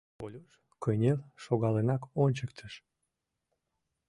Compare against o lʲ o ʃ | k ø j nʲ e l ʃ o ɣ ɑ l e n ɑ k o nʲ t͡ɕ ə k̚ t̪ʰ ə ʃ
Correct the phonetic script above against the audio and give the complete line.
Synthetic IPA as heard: o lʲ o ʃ | k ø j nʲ e l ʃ o ɣ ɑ l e n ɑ k o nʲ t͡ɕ ə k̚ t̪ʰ ə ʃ